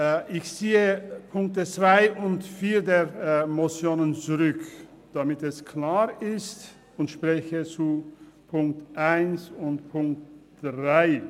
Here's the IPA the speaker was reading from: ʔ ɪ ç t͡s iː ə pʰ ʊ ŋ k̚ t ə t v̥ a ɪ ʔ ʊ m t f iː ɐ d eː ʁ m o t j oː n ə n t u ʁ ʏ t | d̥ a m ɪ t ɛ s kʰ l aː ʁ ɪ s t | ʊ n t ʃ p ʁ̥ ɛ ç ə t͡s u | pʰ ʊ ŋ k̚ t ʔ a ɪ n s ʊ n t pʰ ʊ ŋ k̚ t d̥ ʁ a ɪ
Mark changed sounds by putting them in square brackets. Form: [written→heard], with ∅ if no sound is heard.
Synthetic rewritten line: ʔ ɪ ç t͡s iː ə pʰ ʊ ŋ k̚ t ə [t→t͡s] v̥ a ɪ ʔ ʊ [m→n] t f iː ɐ d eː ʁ m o [t→t͡s] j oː n ə n [t→t͡s] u ʁ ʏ [t→k] | d̥ a m ɪ t ɛ s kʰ l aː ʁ ɪ s t | ʊ n t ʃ p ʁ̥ ɛ ç ə t͡s u | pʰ ʊ ŋ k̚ t ʔ a ɪ n s ʊ n t pʰ ʊ ŋ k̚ t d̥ ʁ a ɪ